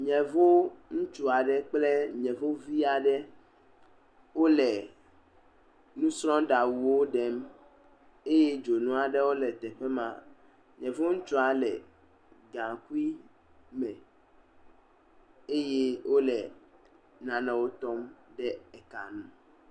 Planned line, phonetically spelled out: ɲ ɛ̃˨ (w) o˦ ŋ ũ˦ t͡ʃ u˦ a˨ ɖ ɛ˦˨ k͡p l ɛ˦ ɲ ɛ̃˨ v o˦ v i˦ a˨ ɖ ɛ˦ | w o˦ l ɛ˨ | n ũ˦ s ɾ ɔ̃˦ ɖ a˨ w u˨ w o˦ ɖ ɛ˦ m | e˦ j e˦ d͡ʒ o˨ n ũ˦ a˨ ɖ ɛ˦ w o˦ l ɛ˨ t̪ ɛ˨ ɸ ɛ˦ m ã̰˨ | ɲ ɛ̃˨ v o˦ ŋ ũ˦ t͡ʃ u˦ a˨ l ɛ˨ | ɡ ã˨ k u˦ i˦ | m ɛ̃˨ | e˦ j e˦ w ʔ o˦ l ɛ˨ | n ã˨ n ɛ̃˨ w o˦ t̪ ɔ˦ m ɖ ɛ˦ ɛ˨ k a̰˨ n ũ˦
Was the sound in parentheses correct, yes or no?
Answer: no